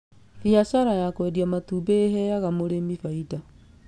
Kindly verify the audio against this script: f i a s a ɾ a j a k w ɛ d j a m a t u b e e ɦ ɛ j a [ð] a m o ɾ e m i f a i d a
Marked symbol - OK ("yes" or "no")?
no